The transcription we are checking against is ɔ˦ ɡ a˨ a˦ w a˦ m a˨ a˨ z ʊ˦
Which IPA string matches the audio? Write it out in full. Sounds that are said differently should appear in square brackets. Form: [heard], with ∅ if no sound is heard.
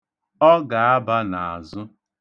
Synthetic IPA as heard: ɔ˦ ɡ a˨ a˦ [b] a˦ [n] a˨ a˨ z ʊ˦